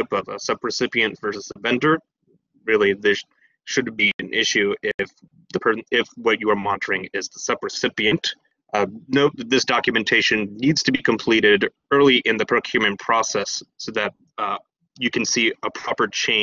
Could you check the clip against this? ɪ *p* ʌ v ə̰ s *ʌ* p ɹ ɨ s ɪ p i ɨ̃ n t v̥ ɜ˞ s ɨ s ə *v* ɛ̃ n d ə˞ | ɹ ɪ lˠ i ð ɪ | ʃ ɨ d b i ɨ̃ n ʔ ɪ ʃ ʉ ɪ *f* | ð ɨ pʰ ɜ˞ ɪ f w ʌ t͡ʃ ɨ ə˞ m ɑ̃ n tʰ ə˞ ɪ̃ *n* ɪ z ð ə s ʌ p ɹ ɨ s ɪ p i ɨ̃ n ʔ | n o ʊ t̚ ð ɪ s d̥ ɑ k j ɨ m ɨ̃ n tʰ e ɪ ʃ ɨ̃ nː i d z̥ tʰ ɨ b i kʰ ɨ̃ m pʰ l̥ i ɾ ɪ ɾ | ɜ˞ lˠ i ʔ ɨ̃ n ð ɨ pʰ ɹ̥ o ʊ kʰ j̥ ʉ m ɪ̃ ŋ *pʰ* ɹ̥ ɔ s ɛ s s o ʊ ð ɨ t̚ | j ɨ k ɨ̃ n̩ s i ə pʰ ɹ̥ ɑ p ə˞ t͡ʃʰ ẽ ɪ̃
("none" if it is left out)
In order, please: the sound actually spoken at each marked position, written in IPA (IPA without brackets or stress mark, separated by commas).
p, ʌ, v, f, ŋ, pʰ